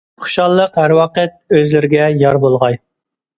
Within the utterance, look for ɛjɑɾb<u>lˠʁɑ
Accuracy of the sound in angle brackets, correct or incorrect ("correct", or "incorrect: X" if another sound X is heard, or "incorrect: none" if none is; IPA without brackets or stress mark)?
incorrect: o